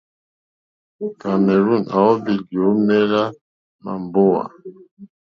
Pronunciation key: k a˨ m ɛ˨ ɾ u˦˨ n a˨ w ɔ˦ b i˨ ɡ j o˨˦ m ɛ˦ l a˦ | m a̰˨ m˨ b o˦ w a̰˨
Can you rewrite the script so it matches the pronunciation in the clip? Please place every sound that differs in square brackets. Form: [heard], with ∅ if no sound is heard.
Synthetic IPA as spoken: k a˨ m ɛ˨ ɾ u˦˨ n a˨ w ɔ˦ b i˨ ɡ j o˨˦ m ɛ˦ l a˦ | m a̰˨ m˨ b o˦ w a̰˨